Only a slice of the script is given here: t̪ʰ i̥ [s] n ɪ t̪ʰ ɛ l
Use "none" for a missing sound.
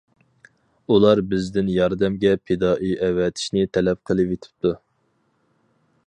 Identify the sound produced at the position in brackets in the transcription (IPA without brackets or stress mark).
ʃ